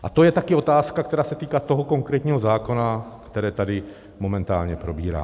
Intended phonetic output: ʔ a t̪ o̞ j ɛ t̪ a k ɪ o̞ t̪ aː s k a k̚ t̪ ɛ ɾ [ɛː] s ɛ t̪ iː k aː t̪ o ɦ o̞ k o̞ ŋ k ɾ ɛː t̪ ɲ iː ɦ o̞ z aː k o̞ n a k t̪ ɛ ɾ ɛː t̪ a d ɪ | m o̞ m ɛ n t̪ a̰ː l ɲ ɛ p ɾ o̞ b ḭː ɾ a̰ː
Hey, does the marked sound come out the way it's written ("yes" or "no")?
no